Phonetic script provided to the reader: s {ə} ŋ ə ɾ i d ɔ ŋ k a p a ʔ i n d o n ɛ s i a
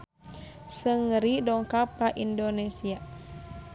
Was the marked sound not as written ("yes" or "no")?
no